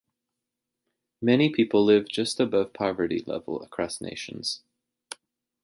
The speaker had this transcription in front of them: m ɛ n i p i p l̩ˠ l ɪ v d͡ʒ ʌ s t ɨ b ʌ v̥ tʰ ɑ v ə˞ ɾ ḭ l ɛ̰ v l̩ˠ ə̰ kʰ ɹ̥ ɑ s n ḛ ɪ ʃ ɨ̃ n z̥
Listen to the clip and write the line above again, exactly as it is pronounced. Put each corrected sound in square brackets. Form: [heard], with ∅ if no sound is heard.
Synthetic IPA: m ɛ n i [pʰ] i p l̩ˠ l ɪ v d͡ʒ ʌ s t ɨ b ʌ v̥ [pʰ] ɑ v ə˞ ɾ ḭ l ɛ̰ v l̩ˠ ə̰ kʰ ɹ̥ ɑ s n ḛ ɪ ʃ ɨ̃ n z̥